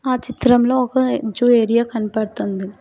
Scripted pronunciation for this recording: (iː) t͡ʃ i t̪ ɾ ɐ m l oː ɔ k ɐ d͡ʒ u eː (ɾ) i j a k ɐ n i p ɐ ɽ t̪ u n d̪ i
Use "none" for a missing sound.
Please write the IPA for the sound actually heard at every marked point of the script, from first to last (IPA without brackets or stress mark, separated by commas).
aː, ɾ